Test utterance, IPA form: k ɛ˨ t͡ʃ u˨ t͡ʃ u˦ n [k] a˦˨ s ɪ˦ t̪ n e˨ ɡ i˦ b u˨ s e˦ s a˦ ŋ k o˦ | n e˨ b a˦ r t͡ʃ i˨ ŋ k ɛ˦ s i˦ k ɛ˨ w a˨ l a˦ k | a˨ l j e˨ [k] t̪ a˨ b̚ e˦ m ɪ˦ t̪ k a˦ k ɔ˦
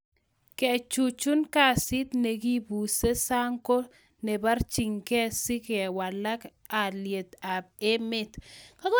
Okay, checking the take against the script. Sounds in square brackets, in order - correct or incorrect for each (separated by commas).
correct, incorrect